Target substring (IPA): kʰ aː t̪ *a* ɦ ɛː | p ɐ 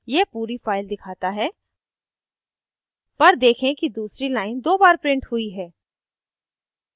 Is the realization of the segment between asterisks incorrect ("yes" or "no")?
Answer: no